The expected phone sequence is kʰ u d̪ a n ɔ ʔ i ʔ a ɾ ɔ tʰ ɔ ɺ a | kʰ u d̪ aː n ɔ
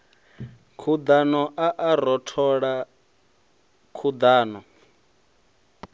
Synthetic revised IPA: kʰ u d̪ a n ɔ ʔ a ʔ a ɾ ɔ tʰ ɔ ɺ a | kʰ u d̪ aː n ɔ